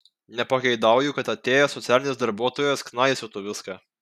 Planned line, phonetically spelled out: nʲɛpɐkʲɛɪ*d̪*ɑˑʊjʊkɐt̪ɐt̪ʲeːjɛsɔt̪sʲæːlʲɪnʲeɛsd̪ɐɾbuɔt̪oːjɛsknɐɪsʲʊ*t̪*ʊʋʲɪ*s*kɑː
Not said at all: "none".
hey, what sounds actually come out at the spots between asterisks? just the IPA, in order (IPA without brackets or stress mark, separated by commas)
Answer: d̪, t̪, s